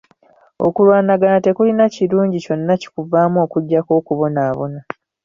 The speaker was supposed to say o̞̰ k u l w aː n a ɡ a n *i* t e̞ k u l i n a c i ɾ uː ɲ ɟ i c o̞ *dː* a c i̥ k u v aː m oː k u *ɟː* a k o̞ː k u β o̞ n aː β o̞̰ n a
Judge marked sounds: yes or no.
no, no, yes

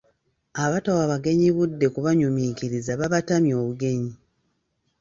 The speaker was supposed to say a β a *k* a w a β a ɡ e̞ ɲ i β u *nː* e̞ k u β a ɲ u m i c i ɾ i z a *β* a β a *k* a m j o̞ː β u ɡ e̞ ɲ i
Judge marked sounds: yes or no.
no, no, yes, no

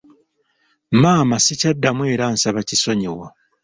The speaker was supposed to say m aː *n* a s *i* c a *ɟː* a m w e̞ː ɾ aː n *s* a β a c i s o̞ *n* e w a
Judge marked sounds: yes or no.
no, yes, no, yes, no

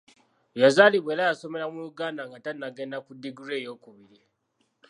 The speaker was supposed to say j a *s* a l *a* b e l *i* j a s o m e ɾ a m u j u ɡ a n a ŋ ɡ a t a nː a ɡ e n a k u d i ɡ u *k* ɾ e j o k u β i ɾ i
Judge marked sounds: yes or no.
no, no, no, no

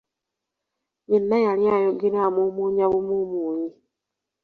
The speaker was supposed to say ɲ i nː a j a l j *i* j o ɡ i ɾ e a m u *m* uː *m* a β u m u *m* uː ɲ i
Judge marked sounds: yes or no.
no, yes, no, yes

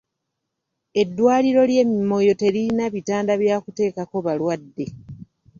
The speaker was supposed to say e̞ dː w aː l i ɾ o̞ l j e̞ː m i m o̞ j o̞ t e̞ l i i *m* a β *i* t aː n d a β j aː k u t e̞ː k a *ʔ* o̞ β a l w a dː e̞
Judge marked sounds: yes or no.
no, yes, no

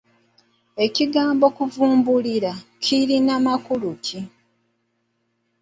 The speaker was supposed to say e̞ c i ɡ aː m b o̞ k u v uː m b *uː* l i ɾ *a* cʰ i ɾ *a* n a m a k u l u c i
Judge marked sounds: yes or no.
no, yes, no

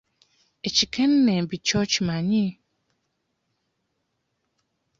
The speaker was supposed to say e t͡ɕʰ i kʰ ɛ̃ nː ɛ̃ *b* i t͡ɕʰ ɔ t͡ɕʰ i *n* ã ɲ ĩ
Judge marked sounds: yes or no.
yes, no

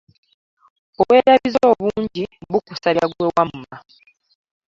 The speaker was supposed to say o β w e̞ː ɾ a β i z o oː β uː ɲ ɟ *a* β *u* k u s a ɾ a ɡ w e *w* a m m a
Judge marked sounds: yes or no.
no, yes, yes

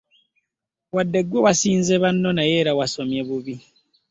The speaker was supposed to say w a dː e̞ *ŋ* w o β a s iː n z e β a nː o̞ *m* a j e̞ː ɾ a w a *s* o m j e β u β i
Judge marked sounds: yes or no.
no, no, yes

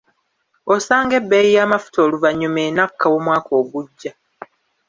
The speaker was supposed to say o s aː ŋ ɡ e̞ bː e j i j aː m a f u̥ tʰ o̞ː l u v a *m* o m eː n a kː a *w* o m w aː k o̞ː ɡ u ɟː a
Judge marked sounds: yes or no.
no, yes

